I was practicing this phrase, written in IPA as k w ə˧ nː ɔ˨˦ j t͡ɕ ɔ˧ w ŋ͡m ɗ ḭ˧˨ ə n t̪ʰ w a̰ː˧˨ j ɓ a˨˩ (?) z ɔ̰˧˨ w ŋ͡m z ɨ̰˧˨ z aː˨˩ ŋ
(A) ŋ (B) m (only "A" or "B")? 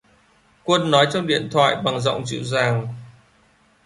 A